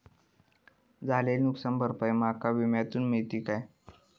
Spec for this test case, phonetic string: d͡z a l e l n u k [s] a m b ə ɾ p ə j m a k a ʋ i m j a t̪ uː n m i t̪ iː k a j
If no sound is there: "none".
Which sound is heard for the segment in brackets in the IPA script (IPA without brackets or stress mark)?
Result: s